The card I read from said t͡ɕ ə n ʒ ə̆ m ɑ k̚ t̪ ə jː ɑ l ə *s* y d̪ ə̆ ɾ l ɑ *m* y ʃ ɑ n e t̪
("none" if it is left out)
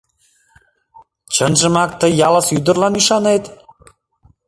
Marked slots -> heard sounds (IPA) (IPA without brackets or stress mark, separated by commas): s, n